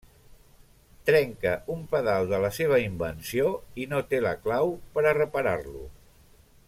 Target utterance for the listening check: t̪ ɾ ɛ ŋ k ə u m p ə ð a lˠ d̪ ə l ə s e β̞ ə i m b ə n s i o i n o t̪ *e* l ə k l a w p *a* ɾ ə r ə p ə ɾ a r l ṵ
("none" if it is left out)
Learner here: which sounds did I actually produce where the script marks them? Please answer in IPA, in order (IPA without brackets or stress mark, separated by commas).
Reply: e, ə